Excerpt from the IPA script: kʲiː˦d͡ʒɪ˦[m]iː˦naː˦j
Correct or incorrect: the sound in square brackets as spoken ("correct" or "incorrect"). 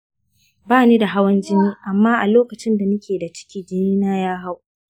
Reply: incorrect